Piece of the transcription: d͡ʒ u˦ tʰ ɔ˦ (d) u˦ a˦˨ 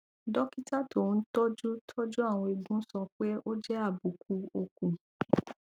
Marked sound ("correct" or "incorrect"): incorrect